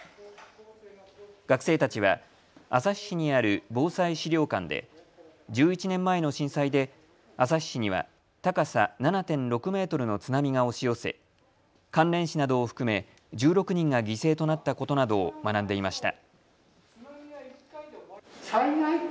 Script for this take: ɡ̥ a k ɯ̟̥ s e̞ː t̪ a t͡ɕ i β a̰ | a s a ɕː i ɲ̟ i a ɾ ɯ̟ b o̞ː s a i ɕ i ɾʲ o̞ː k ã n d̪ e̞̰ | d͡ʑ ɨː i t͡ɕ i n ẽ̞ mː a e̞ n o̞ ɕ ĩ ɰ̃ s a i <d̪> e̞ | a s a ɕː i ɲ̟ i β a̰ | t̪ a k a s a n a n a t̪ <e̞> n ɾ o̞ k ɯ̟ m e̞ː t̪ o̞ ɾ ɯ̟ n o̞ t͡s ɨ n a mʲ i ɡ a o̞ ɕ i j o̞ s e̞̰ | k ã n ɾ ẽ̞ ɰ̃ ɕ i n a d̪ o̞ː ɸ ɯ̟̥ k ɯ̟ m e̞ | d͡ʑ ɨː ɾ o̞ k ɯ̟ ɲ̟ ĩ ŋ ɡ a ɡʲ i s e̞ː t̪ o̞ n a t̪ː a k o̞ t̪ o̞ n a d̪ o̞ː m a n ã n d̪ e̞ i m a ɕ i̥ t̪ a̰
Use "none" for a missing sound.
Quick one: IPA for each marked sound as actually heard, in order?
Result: d̪, ẽ̞

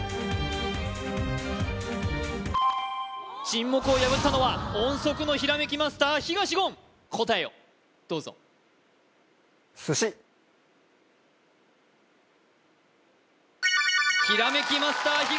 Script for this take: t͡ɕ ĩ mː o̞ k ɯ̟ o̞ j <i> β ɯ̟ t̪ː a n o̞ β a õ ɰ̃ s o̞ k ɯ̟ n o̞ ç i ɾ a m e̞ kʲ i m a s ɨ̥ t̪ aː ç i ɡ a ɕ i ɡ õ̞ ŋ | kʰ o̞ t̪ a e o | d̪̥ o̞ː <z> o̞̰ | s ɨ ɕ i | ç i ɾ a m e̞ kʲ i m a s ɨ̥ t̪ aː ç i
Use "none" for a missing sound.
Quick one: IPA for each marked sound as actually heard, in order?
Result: a, z

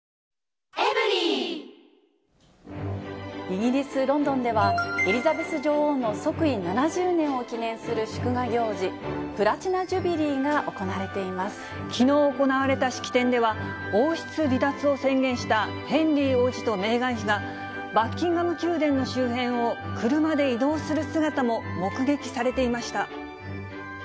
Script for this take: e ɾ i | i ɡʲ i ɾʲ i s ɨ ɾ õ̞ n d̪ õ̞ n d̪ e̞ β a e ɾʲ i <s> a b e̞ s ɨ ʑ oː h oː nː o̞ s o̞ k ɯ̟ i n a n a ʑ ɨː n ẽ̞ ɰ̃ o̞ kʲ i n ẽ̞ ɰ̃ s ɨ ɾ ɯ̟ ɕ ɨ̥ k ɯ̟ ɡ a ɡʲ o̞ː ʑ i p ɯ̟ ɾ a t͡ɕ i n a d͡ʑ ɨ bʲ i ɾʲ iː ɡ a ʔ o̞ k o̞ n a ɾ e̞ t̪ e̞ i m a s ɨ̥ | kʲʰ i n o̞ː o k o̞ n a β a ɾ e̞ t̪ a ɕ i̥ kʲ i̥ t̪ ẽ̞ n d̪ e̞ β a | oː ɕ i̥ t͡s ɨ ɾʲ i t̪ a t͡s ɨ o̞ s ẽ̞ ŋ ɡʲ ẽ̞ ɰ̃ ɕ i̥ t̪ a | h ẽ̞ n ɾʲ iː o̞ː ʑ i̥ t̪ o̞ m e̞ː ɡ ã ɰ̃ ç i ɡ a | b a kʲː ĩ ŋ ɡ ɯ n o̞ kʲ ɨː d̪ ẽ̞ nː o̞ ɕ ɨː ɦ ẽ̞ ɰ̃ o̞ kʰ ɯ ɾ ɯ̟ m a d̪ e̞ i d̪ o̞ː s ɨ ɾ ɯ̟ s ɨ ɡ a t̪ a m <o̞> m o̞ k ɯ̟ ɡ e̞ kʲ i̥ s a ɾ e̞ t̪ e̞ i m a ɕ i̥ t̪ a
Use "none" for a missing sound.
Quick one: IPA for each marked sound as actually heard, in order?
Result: z, o̞

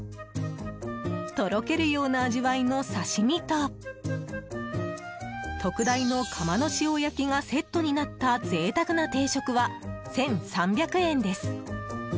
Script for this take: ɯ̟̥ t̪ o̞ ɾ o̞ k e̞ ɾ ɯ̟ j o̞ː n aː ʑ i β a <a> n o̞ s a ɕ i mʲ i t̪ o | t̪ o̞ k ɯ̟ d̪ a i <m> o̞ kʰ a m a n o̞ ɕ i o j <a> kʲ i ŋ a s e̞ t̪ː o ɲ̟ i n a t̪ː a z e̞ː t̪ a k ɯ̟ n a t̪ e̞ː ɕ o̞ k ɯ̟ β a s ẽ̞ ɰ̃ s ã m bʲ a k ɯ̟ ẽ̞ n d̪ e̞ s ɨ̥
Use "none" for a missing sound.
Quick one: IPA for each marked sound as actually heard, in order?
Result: i, n, a

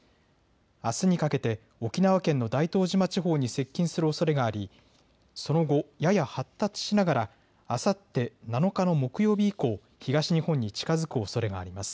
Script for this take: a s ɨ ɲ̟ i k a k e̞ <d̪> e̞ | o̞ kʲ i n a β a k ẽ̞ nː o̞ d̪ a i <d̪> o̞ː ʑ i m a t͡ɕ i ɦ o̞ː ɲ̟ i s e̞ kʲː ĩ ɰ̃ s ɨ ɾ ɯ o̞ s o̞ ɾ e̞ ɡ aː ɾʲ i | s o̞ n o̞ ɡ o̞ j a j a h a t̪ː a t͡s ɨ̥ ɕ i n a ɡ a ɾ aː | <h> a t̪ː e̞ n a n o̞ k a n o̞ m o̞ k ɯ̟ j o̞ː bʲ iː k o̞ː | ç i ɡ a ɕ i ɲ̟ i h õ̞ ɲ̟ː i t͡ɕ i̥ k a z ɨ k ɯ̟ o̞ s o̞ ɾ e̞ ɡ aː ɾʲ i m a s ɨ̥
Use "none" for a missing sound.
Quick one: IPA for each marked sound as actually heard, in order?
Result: t̪, t̪, s

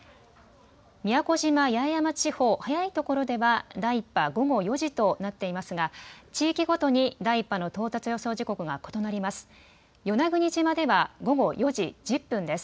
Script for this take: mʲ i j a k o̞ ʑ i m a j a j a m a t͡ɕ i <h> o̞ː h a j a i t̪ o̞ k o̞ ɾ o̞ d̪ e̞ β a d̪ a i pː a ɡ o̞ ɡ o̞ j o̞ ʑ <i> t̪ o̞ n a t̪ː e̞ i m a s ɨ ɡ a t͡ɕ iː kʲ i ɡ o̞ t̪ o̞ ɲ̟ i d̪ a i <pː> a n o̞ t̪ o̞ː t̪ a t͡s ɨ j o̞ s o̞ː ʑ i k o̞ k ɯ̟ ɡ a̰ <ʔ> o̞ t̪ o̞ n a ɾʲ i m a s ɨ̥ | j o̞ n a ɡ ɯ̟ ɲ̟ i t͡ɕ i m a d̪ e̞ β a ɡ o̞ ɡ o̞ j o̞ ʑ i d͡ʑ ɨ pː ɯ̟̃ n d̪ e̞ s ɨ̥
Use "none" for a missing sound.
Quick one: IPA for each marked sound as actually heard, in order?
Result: h, i, pː, k

